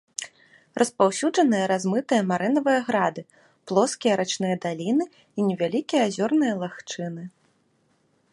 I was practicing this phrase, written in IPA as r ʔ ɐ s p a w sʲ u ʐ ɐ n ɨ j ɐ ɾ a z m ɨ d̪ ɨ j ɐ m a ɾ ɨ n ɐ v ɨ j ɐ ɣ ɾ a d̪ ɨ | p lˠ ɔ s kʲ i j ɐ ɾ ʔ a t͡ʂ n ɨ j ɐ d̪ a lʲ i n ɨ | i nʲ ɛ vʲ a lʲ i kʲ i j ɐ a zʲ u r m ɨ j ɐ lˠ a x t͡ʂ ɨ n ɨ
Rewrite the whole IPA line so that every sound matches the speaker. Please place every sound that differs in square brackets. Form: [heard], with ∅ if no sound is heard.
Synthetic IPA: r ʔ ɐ s p a w sʲ u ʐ ɐ n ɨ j ɐ ɾ a z m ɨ [t̪] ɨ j ɐ m a ɾ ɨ n ɐ v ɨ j ɐ ɣ ɾ a d̪ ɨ | p lˠ ɔ s kʲ i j ɐ ɾ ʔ a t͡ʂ n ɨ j ɐ d̪ a lʲ i n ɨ | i nʲ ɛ vʲ a lʲ i kʲ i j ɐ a zʲ [ɔ] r [n] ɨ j ɐ lˠ a x t͡ʂ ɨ n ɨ

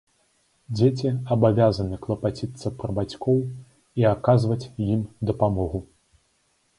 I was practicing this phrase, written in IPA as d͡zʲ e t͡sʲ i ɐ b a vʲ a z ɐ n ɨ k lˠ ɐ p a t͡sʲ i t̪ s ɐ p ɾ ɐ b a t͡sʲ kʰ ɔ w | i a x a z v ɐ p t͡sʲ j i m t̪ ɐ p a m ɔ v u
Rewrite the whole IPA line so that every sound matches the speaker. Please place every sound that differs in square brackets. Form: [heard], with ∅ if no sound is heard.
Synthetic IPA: d͡zʲ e t͡sʲ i ɐ b a vʲ a z ɐ n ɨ k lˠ ɐ p a t͡sʲ i t̪ s ɐ p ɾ ɐ b a t͡sʲ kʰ ɔ w | i a [k] a z v ɐ [∅] t͡sʲ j i m [d̪] ɐ p a m ɔ [ɣ] u

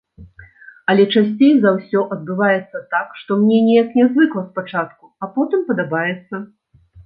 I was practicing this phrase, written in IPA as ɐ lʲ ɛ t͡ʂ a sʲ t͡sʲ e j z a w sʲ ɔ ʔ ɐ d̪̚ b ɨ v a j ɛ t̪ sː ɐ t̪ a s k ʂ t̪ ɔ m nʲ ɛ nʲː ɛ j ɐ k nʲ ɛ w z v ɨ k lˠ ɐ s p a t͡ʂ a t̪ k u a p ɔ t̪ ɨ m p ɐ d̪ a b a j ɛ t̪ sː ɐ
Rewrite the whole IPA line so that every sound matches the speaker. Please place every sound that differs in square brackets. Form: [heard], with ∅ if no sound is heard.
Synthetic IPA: ɐ lʲ ɛ t͡ʂ a sʲ t͡sʲ e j z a w sʲ ɔ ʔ ɐ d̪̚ b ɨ v a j ɛ t̪ sː ɐ t̪ a [∅] k ʂ t̪ ɔ m nʲ ɛ [nʲ] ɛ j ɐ k nʲ ɛ [∅] z v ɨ k lˠ ɐ s p a t͡ʂ a t̪ k u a p ɔ t̪ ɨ m p ɐ d̪ a b a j ɛ t̪ sː ɐ

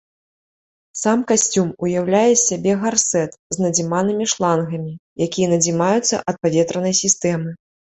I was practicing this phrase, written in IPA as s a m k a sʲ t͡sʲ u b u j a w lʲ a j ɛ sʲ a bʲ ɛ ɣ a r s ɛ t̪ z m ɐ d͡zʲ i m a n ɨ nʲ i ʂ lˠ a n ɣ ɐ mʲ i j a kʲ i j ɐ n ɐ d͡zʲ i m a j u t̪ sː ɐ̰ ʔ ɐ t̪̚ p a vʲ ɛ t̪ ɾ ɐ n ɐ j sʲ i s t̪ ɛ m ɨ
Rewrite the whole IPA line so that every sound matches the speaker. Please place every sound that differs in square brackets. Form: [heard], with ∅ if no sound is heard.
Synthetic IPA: s a m k a sʲ t͡sʲ u [m] u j a w lʲ a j ɛ sʲ a bʲ ɛ ɣ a r s ɛ t̪ z [n] ɐ d͡zʲ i m a n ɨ [mʲ] i ʂ lˠ a n ɣ ɐ mʲ i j a kʲ i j ɐ n ɐ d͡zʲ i m a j u t̪ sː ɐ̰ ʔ ɐ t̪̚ p a vʲ ɛ t̪ ɾ ɐ n ɐ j sʲ i s t̪ ɛ m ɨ

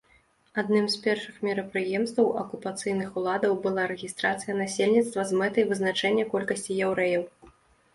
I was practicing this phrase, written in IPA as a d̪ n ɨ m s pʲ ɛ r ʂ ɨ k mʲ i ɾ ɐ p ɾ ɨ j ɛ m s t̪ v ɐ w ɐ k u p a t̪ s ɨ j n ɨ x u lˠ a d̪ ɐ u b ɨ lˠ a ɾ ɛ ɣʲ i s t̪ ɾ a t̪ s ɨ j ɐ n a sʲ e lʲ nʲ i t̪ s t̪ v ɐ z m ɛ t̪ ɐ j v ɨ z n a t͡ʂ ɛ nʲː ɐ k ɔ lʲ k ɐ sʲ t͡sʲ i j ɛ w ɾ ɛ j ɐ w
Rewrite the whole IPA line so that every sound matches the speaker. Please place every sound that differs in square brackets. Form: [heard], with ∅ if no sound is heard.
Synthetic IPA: a d̪ n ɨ m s pʲ ɛ r ʂ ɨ [x] mʲ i ɾ ɐ p ɾ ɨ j ɛ m s t̪ v ɐ w ɐ k u p a t̪ s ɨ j n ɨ x u lˠ a d̪ ɐ [w] b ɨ lˠ a ɾ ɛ ɣʲ i s t̪ ɾ a t̪ s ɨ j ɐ n a sʲ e lʲ nʲ i t̪ s t̪ v ɐ z m ɛ t̪ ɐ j v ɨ z n a t͡ʂ ɛ nʲː ɐ k ɔ lʲ k ɐ sʲ t͡sʲ i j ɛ w ɾ ɛ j ɐ w

